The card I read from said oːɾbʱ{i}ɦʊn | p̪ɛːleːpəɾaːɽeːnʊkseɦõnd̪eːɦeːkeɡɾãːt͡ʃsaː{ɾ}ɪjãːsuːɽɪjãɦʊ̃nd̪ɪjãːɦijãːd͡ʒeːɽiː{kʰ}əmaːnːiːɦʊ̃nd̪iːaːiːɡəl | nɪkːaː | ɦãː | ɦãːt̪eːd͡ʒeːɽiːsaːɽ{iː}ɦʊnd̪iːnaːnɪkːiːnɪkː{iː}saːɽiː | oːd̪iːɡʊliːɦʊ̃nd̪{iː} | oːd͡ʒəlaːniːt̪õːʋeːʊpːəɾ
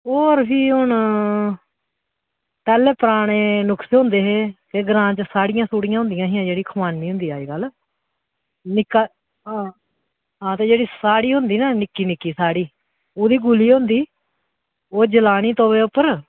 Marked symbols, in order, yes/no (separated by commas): no, no, yes, yes, yes, yes